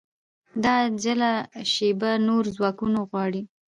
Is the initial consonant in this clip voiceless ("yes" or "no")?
no